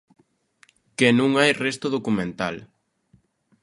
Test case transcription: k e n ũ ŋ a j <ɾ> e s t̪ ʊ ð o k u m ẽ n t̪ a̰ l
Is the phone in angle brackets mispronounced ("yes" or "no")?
yes